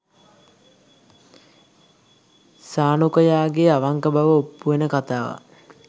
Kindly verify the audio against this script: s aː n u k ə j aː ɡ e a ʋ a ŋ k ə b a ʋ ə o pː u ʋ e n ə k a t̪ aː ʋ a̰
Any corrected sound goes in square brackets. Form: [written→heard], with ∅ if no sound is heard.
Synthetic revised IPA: s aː n u k ə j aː ɡ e a ʋ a ŋ k ə b a ʋ ə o pː u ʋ e n ə k a t̪ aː ʋ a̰